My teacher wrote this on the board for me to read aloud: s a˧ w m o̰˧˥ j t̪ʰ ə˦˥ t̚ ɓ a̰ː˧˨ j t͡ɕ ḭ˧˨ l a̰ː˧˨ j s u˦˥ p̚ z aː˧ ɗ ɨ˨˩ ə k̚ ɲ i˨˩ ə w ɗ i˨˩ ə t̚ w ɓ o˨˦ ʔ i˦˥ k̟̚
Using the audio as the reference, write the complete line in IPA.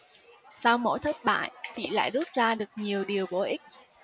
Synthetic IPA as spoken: s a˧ w m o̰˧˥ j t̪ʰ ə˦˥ t̚ ɓ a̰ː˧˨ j t͡ɕ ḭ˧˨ l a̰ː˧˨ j z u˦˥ t̚ z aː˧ ɗ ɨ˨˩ ə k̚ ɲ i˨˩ ə w ɗ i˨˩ ə w ɓ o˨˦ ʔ i˦˥ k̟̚